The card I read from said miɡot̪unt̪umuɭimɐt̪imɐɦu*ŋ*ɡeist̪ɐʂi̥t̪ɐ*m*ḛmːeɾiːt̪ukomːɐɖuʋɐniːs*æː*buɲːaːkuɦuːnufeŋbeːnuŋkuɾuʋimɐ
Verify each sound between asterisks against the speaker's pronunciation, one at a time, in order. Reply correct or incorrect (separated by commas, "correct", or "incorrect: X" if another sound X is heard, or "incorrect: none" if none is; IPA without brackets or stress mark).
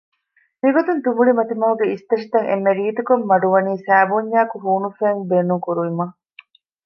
incorrect: none, incorrect: ŋ, correct